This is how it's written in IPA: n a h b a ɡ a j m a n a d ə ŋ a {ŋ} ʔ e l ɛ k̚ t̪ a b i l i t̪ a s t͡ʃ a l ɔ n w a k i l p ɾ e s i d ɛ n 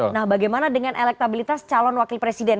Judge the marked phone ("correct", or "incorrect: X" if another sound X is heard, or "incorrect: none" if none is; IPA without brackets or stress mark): incorrect: n